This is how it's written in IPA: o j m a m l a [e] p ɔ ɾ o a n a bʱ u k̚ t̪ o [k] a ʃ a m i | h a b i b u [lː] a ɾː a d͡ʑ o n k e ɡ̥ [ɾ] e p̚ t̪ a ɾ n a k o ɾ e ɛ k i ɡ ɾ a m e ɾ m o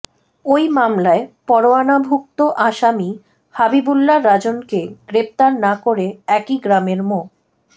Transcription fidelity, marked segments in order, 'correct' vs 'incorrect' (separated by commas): correct, incorrect, correct, correct